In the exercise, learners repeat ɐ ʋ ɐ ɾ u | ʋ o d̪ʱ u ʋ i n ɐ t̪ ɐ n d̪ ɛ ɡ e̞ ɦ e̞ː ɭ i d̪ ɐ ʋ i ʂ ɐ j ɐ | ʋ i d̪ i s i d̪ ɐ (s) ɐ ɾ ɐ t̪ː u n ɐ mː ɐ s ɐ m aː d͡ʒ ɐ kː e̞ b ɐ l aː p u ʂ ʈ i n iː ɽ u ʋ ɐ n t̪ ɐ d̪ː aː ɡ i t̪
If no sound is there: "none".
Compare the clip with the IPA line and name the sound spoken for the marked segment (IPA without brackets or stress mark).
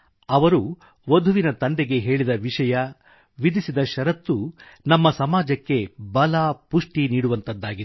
ʃ